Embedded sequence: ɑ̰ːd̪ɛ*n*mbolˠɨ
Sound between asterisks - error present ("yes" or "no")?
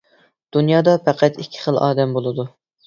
yes